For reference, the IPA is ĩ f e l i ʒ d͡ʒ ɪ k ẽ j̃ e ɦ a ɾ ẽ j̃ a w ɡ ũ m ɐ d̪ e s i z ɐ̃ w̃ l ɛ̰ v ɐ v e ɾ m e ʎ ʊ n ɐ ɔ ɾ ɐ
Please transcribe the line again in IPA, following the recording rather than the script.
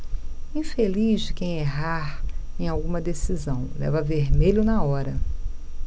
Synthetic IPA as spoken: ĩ f e l i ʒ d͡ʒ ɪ k ẽ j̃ e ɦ a ɾ ẽ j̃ a w ɡ ũ m ɐ d̪ e s i z ɐ̃ w̃ l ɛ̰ v ɐ v e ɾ m e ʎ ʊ n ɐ ɔ ɾ ɐ